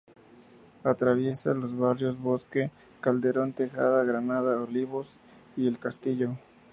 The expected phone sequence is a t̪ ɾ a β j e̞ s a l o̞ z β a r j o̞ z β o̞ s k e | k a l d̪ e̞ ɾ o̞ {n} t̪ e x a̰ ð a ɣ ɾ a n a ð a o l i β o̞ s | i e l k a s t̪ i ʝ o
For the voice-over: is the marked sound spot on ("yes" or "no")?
yes